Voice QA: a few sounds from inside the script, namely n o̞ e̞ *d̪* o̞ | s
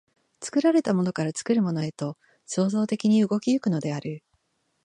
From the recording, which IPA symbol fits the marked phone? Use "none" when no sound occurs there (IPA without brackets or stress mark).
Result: t̪